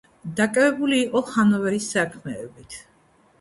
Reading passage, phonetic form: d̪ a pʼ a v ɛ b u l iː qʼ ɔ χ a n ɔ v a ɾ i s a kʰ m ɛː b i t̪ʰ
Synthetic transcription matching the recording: d̪ a kʼ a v ɛ b u l iː qʼ ɔ χ a n ɔ v ɛ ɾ i s a kʰ m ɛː b i t̪ʰ